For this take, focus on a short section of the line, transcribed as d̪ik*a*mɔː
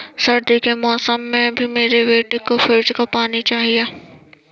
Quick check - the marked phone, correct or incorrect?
incorrect